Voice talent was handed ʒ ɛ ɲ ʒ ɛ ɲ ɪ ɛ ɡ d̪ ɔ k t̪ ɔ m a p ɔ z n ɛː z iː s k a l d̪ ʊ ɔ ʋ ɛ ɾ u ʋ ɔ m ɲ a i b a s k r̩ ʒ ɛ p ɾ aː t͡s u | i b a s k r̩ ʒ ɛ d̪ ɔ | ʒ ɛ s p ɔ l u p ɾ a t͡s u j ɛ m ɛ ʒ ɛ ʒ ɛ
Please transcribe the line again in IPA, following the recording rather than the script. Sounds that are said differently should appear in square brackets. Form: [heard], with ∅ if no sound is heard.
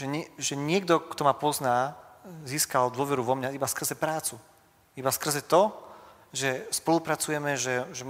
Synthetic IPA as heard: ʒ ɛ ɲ ʒ ɛ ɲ ɪ ɛ ɡ d̪ ɔ k t̪ ɔ m a p ɔ z n [aː] z iː s k a l d̪ ʊ ɔ ʋ ɛ ɾ u ʋ ɔ m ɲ a i b a s k r̩ [z] ɛ p ɾ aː t͡s u | i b a s k r̩ [z] ɛ [t̪] ɔ | ʒ ɛ s p ɔ l u p ɾ a t͡s u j ɛ m ɛ ʒ ɛ ʒ ɛ